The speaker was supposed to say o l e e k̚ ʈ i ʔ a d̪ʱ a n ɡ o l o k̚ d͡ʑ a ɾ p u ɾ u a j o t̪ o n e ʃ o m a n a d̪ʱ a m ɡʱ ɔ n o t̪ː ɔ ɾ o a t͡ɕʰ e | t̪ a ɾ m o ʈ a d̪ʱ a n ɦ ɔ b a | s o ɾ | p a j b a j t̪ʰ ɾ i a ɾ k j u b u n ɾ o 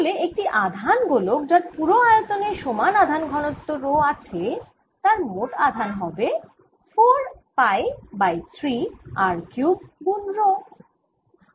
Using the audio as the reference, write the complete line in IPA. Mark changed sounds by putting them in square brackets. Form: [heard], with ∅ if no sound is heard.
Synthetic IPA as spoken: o l e e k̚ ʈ i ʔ a d̪ʱ a n ɡ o l o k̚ d͡ʑ a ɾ p u ɾ [o] a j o t̪ o n e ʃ o m a n a d̪ʱ a [n] ɡʱ ɔ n o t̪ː [o] ɾ o a t͡ɕʰ e | t̪ a ɾ m o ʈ a d̪ʱ a n ɦ ɔ b [e] | [f] o ɾ | p a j b a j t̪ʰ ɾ i a ɾ k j u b u n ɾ o